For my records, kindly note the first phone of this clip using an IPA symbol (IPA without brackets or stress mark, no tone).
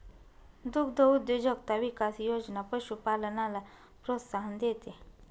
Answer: d̪